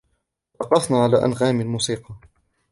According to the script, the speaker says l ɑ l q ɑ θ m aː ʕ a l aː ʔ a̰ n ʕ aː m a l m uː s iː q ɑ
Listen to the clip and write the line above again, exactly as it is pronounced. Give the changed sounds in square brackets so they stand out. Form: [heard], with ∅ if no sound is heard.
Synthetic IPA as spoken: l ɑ [∅] q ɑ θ [n] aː ʕ a l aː ʔ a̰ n [ɣ] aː m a l m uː s iː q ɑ